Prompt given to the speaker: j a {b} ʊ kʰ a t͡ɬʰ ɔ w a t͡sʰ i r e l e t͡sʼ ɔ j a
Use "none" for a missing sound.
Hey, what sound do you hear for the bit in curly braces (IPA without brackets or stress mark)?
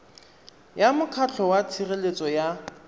m